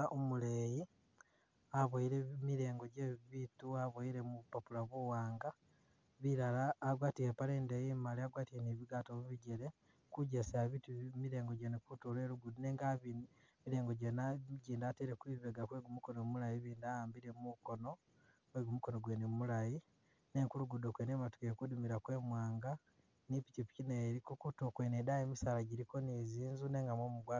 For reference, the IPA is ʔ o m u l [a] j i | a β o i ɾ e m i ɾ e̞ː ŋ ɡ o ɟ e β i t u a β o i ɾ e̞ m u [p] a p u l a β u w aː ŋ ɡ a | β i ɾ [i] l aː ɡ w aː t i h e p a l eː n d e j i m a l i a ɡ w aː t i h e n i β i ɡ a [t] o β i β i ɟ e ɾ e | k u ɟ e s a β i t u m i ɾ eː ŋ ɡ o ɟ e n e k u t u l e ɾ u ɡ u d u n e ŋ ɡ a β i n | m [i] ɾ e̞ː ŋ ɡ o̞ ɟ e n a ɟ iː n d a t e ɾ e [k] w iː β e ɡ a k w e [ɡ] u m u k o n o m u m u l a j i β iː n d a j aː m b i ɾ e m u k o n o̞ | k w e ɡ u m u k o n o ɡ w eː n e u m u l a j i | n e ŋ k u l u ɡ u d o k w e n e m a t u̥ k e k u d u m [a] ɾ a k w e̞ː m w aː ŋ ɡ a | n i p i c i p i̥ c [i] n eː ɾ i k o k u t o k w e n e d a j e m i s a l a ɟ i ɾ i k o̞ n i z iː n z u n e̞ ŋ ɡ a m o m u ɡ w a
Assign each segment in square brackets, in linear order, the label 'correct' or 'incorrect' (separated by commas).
incorrect, correct, incorrect, correct, correct, correct, correct, incorrect, correct